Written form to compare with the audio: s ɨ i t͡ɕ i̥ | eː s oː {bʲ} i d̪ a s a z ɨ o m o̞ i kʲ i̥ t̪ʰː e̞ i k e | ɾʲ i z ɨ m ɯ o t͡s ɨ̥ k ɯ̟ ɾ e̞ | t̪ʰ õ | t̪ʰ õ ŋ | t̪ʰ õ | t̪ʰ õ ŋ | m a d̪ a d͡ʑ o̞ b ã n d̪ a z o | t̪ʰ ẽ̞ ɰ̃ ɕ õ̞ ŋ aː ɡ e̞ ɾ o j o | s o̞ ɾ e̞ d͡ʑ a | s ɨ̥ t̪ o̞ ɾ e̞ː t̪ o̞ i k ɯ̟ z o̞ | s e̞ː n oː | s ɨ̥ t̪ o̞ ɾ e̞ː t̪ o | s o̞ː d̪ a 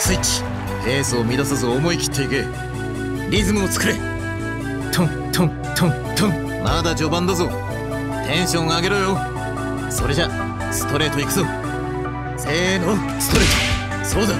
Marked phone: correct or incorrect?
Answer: incorrect